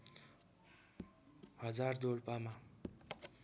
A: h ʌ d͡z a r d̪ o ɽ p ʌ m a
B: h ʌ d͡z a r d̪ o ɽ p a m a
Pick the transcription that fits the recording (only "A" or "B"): B